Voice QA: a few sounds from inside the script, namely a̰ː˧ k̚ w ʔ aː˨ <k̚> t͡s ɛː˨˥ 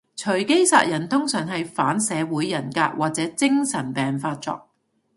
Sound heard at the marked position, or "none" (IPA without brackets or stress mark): t̚